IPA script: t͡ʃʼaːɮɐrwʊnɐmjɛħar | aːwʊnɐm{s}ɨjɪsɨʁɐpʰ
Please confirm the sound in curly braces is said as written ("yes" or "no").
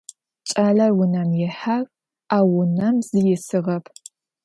no